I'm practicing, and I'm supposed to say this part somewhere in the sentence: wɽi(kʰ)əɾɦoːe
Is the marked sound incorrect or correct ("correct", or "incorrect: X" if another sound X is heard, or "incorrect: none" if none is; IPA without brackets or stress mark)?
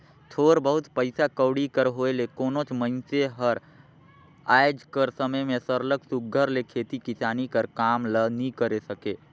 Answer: incorrect: k